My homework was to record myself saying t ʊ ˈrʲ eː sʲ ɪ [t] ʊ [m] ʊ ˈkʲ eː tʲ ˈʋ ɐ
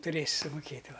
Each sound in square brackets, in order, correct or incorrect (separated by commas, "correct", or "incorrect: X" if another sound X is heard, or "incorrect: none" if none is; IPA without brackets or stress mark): incorrect: s, correct